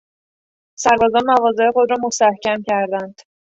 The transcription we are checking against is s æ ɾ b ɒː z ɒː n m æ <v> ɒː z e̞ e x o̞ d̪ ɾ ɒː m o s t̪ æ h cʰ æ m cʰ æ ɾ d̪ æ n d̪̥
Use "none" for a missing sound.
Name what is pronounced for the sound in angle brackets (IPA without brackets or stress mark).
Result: v